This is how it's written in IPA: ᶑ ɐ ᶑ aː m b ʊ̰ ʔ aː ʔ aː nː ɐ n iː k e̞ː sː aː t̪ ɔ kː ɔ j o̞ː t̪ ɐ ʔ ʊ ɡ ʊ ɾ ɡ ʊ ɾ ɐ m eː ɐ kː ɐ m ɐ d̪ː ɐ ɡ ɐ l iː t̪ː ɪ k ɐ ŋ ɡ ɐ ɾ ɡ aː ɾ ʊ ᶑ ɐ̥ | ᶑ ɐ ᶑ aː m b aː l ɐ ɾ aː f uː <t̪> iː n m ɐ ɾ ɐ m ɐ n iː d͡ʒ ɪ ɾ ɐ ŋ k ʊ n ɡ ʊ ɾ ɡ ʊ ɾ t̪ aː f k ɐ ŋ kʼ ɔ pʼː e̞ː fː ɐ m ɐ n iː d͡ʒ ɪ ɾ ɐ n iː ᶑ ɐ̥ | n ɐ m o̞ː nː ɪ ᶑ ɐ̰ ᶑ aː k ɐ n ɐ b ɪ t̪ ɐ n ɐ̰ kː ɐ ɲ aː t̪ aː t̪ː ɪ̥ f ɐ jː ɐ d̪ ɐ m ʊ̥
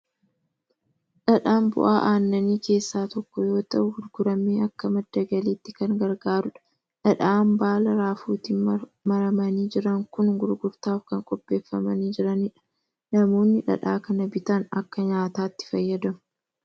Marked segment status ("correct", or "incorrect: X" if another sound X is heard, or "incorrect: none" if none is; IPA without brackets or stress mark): correct